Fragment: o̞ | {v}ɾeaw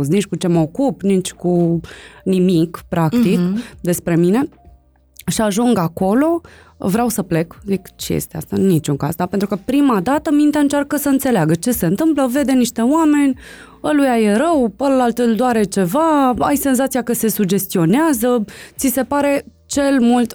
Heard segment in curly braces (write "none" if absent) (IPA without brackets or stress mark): v